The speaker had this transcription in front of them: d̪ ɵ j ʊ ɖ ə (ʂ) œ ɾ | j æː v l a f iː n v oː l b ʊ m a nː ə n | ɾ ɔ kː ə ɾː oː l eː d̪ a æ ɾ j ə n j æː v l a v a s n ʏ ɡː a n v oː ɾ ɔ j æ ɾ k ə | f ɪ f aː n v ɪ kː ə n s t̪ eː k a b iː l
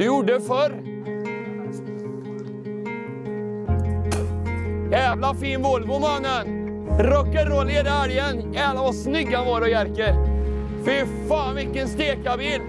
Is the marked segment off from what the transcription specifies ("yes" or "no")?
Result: yes